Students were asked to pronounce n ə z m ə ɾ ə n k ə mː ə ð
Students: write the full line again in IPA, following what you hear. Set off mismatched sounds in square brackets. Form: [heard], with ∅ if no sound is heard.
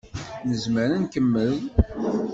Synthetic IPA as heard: n ə z m ə ɾ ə n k ə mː ə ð